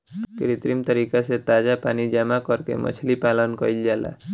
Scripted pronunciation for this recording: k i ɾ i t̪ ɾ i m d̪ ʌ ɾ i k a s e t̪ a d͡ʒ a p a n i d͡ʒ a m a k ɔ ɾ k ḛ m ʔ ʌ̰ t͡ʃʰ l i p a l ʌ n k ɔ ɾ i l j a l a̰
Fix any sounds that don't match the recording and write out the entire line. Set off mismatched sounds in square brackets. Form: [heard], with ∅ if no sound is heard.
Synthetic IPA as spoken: k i ɾ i t̪ ɾ i m [t̪] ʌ ɾ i k a s e t̪ a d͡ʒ a p a n i d͡ʒ a m a k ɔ ɾ k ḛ m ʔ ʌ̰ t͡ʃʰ l i p a l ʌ n k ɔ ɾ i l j a l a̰